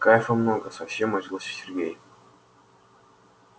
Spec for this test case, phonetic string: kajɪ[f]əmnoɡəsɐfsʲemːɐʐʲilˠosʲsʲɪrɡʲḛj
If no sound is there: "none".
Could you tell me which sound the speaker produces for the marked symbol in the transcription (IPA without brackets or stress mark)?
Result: f